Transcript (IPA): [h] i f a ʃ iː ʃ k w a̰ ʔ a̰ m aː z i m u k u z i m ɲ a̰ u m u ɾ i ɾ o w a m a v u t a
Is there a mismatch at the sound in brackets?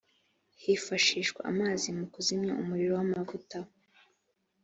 no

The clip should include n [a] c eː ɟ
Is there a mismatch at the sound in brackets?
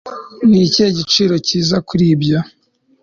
yes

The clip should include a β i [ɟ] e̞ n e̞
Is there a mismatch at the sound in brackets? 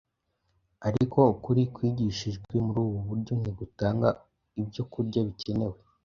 yes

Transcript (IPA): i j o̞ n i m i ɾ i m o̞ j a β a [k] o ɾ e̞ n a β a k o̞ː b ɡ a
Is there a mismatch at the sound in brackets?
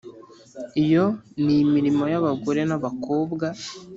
yes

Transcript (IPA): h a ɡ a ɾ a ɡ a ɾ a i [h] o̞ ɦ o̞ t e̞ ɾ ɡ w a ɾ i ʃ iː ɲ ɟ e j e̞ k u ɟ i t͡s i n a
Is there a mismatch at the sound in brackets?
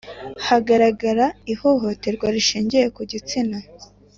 no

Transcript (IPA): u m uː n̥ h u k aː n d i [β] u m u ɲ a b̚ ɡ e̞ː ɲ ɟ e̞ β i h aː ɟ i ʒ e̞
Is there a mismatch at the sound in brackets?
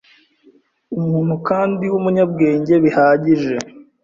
yes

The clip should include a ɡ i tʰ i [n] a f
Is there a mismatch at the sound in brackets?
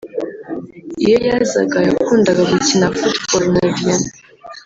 no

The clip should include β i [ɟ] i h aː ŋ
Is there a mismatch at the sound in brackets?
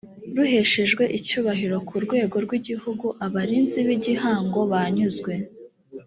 no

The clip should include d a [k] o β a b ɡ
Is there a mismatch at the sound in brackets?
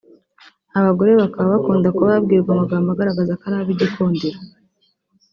no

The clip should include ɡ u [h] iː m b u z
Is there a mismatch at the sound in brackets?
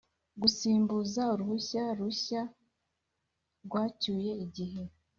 yes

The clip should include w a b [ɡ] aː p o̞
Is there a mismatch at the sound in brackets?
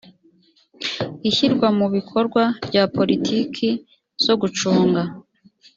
yes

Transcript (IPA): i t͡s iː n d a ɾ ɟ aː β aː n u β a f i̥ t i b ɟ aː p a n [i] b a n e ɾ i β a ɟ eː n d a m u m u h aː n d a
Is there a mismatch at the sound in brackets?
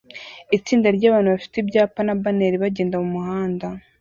yes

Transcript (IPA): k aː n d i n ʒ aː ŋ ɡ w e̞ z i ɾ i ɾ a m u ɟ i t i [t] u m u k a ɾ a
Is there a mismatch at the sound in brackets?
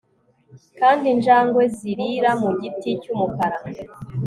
yes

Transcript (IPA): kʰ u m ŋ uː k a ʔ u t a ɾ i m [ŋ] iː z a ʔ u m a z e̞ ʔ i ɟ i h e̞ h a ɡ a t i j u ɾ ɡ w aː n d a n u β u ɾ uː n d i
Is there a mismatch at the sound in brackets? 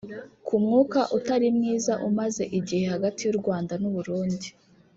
no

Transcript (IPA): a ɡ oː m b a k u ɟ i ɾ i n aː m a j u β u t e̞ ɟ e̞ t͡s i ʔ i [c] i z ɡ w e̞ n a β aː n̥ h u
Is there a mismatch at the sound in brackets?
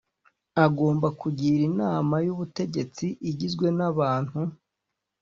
yes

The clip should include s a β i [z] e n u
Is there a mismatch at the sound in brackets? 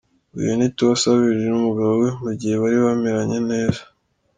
yes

